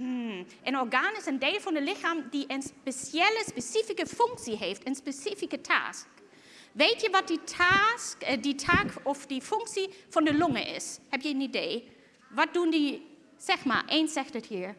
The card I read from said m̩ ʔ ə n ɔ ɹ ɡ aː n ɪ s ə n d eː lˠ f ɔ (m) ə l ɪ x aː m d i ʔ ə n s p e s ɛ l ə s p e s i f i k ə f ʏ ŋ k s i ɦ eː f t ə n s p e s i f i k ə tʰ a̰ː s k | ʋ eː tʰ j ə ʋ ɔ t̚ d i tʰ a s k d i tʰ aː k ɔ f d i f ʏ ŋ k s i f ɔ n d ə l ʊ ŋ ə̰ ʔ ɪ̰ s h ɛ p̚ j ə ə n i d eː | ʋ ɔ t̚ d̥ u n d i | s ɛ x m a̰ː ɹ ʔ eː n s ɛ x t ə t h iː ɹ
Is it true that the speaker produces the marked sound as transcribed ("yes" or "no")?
no